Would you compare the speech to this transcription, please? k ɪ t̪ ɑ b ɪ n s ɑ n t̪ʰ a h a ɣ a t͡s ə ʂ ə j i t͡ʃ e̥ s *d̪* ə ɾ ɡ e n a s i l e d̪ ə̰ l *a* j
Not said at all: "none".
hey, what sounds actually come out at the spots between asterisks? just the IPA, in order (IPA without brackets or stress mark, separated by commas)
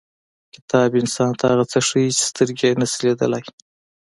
t̪, a